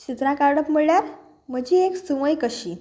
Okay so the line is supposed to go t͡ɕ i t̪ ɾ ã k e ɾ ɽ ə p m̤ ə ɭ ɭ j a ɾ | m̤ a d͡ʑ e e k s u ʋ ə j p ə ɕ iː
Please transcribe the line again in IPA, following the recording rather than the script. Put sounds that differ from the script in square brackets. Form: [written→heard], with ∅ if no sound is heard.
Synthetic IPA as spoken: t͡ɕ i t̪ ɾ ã k [e→a] ɾ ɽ ə p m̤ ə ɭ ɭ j a ɾ | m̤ [a→ə] d͡ʑ [e→i] e k s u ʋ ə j [p→k] ə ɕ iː